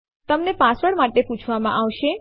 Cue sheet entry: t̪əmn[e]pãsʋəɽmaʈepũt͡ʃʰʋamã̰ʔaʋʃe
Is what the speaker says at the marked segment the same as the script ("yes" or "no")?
yes